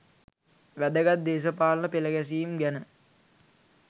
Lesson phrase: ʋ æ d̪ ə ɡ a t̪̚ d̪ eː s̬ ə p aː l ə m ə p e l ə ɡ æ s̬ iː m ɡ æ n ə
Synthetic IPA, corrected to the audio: ʋ æ d̪ ə ɡ a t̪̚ d̪ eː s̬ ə p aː l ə n ə p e l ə ɡ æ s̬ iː m ɡ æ n ə